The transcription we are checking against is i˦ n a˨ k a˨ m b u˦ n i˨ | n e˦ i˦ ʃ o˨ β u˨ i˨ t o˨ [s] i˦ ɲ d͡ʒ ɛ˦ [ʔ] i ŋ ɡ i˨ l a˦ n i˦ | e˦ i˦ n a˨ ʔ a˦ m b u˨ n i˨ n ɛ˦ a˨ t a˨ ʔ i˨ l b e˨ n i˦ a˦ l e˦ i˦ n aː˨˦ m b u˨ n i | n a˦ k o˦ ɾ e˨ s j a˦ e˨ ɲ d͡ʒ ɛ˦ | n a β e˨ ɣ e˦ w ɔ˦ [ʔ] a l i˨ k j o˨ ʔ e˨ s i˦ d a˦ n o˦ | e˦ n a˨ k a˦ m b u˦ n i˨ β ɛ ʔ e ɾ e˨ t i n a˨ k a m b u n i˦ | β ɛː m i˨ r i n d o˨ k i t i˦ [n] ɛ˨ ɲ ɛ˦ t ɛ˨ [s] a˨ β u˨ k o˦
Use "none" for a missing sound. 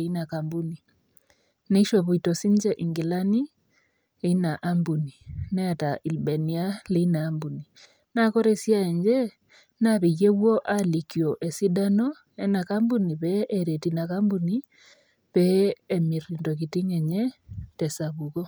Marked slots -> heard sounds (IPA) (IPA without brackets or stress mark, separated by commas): s, ʔ, ʔ, ŋ, s